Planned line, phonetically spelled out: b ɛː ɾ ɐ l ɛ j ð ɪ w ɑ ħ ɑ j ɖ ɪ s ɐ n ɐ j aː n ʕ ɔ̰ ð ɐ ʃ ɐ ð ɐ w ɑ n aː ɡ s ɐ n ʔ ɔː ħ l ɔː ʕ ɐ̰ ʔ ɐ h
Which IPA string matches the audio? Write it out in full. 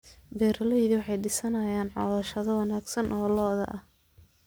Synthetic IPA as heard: b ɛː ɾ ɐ l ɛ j ð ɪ w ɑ ħ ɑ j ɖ ɪ s ɐ n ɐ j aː n ʕ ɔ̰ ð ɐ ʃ ɐ ð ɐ w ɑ n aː ɡ s ɐ n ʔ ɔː l ɔː ð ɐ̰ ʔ ɐ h